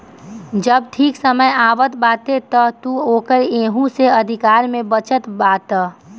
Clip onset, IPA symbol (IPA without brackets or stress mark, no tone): d͡ʒ